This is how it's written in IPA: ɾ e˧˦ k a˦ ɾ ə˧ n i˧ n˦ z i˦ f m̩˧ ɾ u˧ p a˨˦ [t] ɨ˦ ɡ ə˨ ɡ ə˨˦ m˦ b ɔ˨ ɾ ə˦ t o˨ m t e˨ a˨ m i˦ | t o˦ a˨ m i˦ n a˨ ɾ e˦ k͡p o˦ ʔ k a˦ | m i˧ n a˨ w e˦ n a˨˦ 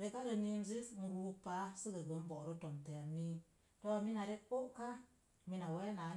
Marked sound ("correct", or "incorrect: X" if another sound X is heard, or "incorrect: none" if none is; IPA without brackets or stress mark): incorrect: s